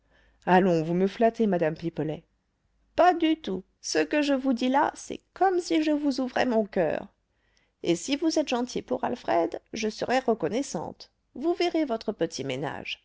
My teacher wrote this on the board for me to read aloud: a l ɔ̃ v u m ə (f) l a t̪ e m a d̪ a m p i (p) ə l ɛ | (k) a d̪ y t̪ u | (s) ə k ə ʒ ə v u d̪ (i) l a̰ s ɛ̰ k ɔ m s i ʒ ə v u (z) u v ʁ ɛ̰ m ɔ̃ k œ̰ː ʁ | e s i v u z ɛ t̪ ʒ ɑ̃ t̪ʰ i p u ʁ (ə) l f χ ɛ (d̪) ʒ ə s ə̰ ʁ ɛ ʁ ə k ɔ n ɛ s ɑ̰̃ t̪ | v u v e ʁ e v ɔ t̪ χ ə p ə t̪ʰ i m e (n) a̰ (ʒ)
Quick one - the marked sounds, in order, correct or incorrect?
correct, correct, incorrect, correct, correct, correct, incorrect, correct, correct, correct

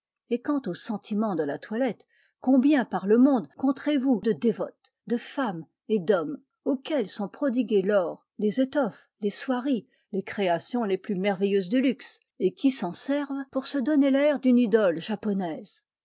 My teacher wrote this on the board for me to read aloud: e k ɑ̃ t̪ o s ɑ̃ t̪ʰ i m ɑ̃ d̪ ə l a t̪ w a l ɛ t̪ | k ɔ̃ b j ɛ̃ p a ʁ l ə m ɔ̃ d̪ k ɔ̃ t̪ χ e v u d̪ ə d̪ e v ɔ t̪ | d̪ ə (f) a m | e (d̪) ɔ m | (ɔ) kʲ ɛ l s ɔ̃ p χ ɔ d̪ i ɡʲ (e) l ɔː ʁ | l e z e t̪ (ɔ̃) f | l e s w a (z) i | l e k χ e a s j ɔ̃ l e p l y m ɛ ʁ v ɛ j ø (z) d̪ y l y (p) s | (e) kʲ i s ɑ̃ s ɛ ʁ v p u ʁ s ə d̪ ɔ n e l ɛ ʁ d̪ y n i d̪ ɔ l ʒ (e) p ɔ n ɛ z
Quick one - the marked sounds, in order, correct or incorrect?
correct, correct, incorrect, correct, incorrect, incorrect, correct, incorrect, correct, incorrect

